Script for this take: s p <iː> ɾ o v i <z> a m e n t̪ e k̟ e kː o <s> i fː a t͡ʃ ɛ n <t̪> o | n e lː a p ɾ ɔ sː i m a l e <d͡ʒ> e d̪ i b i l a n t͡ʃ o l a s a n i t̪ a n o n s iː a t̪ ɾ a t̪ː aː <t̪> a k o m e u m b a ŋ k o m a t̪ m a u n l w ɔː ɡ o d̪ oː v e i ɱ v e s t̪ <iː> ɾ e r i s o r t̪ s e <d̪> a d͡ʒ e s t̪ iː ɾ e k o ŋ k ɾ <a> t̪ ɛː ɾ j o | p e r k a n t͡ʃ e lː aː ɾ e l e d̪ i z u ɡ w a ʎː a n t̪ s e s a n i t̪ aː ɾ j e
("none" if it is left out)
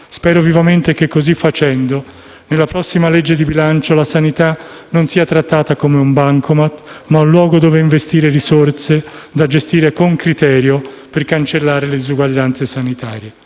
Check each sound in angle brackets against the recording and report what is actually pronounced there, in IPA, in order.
ɛː, v, z, d̪, d͡ʒː, t̪, iː, d̪, i

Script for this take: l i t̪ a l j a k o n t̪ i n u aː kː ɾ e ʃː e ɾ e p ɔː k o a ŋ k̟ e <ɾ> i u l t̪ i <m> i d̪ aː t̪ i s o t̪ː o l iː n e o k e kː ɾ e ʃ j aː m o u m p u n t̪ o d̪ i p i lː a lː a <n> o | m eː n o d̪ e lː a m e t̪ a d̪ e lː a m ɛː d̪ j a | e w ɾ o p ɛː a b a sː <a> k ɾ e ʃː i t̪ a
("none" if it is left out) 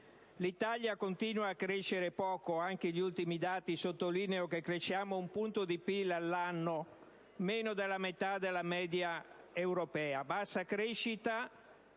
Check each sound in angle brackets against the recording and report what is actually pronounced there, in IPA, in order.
ʎ, m, nː, a

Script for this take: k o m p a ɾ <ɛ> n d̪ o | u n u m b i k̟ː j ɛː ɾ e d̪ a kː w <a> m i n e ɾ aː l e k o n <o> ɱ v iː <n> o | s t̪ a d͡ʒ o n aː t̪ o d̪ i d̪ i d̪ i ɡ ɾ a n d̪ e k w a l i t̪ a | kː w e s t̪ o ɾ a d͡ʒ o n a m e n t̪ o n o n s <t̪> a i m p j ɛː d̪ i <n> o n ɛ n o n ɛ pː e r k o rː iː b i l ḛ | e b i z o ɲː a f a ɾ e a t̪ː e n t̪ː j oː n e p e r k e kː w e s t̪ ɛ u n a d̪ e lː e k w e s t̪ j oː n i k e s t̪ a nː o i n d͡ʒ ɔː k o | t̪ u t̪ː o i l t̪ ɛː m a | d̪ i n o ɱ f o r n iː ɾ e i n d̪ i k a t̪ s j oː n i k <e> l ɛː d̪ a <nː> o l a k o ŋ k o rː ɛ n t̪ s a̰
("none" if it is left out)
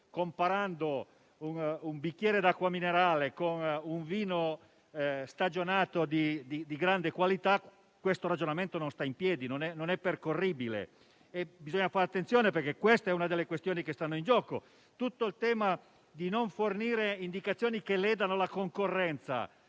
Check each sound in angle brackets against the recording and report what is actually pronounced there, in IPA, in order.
a, a, u, n, t̪, n, e, n

